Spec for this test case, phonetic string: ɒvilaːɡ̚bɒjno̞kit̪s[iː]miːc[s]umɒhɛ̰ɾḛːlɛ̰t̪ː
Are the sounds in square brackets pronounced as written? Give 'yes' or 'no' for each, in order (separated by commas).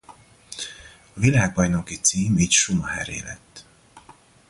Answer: yes, no